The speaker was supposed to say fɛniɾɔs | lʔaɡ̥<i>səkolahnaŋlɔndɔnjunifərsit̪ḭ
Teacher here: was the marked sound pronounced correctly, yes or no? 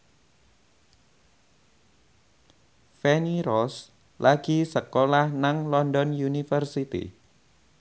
yes